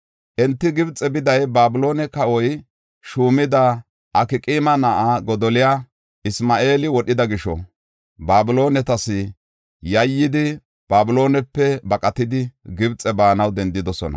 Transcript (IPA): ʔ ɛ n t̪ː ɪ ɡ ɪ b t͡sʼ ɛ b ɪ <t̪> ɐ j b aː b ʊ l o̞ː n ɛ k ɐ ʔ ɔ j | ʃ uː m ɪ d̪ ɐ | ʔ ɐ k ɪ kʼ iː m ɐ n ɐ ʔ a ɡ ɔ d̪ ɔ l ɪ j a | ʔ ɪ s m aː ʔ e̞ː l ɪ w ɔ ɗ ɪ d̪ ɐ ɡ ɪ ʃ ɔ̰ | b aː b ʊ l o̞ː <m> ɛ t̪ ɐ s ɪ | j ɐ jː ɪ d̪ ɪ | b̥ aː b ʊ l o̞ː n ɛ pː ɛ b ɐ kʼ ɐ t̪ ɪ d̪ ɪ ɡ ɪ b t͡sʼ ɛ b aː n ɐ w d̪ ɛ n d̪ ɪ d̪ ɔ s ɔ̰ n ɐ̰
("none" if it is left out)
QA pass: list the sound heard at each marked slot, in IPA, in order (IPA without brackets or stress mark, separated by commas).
d̪, n